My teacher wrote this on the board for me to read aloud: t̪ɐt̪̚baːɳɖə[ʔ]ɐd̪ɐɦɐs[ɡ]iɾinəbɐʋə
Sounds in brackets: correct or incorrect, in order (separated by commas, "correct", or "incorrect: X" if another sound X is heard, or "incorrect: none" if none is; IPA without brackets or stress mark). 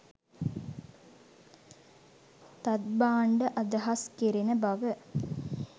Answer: correct, incorrect: k